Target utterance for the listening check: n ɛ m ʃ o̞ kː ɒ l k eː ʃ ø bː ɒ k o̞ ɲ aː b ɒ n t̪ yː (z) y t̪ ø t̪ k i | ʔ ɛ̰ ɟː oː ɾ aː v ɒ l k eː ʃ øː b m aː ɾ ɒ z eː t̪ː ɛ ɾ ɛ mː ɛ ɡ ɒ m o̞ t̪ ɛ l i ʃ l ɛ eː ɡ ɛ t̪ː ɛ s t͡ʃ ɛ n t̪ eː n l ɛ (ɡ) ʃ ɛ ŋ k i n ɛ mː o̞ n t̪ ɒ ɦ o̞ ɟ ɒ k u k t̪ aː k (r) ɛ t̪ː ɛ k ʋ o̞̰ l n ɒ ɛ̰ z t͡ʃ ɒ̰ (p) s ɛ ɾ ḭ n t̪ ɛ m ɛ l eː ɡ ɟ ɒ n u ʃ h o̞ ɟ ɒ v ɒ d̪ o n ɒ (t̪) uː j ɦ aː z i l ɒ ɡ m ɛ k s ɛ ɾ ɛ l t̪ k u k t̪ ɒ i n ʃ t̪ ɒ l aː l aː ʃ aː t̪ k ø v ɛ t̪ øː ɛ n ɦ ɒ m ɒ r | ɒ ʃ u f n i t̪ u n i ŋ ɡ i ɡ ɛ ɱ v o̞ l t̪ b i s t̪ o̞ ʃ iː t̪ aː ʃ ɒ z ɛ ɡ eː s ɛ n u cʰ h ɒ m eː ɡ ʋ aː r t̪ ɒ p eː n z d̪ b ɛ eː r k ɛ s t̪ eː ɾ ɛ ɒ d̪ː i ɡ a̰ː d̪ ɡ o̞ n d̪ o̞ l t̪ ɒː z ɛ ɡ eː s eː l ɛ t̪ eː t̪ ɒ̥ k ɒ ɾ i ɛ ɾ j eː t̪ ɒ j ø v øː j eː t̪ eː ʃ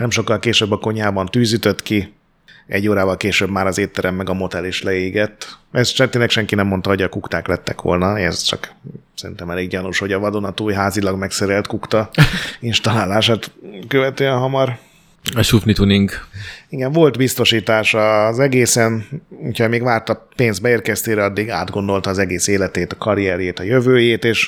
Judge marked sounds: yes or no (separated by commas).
yes, no, no, no, yes